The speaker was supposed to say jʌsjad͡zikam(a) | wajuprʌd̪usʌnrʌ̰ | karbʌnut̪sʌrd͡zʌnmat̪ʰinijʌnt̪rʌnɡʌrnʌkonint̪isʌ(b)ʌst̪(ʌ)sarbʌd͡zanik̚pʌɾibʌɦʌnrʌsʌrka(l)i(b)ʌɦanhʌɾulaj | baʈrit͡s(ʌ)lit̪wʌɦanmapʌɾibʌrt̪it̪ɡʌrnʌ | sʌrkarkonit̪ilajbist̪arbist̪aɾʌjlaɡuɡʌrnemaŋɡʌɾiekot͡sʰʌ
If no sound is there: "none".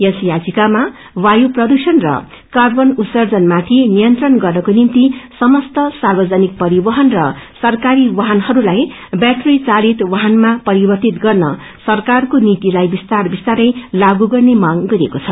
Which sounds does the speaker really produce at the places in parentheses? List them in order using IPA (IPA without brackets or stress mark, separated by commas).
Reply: a, m, ʌ, ɾ, w, a